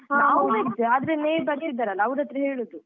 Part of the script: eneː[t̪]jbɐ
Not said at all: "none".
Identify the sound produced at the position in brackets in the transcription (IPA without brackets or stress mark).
none